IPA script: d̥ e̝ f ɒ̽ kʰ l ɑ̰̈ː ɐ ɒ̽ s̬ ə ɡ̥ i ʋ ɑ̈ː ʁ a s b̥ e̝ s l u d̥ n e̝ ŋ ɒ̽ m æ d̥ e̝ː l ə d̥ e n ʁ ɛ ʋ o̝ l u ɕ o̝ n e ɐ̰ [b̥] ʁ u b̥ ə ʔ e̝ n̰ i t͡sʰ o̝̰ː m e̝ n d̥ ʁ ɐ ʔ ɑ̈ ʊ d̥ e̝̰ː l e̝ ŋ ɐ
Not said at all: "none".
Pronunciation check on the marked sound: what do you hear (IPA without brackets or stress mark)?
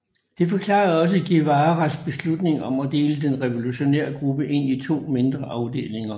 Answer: ɡ̥